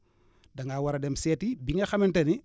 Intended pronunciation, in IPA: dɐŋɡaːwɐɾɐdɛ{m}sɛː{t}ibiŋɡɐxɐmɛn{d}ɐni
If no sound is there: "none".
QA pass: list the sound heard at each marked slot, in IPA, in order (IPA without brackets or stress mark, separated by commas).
m, t, t